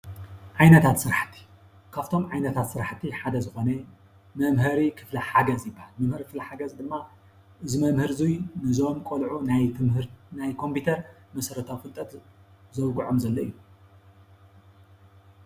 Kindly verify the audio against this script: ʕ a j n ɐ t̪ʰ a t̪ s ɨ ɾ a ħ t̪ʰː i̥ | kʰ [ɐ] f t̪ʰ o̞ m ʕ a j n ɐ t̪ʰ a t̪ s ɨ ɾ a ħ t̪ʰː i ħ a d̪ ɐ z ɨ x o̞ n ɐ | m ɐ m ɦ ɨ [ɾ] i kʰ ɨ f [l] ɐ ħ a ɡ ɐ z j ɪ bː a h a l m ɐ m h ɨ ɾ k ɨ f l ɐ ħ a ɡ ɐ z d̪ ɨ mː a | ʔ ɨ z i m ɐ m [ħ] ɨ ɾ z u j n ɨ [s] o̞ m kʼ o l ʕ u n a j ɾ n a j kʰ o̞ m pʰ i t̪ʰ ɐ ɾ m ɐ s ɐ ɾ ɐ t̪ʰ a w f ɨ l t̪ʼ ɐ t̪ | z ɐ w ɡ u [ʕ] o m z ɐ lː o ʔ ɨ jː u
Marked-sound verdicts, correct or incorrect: incorrect, correct, correct, incorrect, incorrect, correct

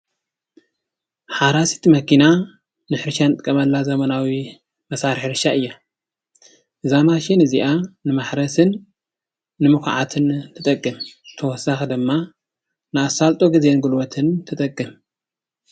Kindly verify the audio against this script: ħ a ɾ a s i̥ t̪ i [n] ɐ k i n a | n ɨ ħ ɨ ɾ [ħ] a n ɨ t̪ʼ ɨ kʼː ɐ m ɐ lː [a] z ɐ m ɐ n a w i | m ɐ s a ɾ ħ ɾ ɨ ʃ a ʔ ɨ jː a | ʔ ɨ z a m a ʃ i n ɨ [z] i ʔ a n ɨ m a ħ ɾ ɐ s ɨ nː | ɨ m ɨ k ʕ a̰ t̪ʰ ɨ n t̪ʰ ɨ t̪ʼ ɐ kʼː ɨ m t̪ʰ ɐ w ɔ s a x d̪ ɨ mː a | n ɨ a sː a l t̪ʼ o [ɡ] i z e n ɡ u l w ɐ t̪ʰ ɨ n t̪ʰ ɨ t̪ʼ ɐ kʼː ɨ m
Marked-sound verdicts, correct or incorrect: incorrect, incorrect, correct, correct, correct

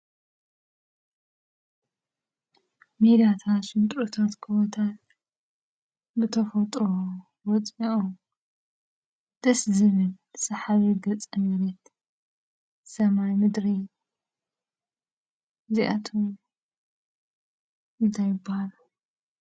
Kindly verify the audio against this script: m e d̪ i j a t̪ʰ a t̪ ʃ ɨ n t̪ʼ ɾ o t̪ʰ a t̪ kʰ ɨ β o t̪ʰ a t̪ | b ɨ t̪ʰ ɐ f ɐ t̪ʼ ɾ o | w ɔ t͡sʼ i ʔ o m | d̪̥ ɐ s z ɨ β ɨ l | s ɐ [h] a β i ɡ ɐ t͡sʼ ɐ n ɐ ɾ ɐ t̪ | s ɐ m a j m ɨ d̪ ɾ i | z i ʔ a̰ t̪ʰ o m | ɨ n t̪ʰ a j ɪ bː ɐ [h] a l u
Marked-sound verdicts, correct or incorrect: incorrect, correct

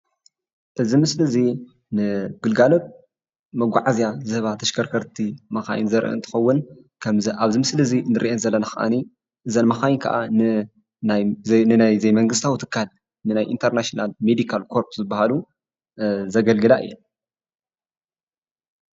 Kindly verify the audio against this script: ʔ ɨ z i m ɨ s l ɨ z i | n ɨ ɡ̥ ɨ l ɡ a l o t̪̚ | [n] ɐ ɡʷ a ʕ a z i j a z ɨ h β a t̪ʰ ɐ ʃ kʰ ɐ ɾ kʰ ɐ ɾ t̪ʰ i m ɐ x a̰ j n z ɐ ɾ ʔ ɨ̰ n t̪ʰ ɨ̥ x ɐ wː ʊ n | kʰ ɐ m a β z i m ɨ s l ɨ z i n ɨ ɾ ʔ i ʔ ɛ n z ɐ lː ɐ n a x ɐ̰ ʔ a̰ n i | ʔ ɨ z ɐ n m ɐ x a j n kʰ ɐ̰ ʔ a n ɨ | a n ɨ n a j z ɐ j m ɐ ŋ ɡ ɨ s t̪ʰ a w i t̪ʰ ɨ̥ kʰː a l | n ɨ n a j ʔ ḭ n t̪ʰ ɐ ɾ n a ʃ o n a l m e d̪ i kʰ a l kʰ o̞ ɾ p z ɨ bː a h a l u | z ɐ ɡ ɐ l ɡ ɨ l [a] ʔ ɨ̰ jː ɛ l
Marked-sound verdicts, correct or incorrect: incorrect, correct

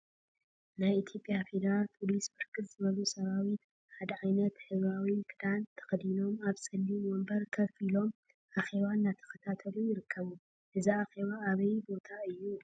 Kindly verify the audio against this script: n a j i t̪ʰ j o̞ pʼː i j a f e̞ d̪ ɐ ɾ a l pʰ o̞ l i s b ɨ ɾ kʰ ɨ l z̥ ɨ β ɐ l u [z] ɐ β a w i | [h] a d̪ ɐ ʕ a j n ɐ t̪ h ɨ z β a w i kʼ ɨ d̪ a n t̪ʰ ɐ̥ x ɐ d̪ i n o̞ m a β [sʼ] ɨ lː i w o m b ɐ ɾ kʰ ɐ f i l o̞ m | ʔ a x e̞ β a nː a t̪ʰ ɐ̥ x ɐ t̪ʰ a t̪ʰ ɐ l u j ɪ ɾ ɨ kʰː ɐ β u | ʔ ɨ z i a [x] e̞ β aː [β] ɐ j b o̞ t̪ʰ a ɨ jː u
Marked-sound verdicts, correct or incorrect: incorrect, incorrect, correct, correct, correct

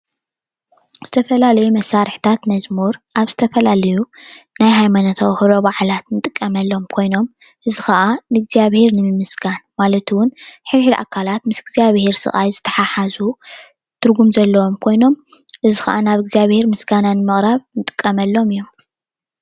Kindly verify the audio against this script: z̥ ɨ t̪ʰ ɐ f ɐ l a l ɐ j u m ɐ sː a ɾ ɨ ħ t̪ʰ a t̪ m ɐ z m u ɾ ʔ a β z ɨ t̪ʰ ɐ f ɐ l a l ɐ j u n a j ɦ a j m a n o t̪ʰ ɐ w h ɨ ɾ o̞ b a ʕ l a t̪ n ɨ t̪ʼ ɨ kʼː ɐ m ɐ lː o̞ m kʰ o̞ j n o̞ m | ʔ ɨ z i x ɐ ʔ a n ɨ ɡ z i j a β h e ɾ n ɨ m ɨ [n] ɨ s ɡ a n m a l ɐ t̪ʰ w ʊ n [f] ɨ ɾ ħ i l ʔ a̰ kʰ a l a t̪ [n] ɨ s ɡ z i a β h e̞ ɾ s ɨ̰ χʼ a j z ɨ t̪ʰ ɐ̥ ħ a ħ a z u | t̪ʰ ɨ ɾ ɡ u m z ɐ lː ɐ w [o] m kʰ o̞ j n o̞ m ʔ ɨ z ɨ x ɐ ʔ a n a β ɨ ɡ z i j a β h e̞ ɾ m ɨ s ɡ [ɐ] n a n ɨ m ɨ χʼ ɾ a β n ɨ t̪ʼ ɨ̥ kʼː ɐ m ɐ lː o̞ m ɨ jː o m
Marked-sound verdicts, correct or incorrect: incorrect, incorrect, incorrect, correct, incorrect

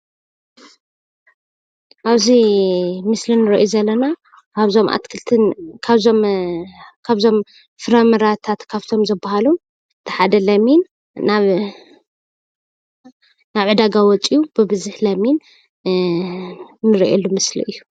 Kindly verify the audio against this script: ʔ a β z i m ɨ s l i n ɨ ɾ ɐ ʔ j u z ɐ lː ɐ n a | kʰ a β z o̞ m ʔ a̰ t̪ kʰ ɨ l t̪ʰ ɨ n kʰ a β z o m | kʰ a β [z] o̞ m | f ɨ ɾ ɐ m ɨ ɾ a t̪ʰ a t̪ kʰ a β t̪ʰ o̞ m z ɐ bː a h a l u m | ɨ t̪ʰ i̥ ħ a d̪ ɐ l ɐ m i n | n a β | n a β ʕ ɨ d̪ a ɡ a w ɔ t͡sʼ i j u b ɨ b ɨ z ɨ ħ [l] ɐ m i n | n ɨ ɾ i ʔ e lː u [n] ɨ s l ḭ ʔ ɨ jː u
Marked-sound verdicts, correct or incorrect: correct, correct, incorrect

